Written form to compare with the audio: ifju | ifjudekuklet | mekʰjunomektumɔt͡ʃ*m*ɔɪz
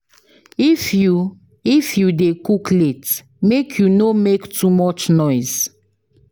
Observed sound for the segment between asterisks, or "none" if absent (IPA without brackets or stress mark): n